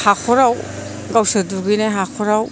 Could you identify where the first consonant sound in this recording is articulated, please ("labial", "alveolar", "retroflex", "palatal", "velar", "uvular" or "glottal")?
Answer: glottal